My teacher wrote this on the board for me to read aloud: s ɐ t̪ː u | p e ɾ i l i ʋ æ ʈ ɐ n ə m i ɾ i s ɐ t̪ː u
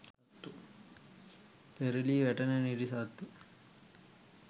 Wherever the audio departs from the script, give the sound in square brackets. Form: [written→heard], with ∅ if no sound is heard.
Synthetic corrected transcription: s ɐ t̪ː u | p e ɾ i l i ʋ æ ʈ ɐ n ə [m→n] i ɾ i s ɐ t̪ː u

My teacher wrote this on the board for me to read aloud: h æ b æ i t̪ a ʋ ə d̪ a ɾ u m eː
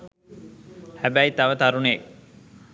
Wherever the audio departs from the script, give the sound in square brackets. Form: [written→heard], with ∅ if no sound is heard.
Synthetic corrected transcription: h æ b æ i t̪ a ʋ ə [d̪→t̪] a ɾ u [m→n] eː

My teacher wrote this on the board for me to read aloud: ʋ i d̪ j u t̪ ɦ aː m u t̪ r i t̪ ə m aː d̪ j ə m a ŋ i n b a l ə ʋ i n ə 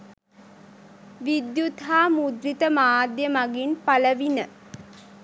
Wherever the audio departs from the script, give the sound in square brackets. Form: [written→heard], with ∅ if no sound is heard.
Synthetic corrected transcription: ʋ i d̪ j u t̪ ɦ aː m u [t̪→d̪] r i t̪ ə m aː d̪ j ə m a [ŋ→ɡ] i n [b→p] a l ə ʋ i n ə

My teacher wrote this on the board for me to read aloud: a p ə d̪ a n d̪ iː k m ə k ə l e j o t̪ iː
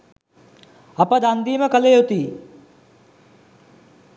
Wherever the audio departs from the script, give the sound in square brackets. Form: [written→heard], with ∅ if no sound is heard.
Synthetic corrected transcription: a p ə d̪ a n d̪ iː [k→∅] m ə k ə l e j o t̪ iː

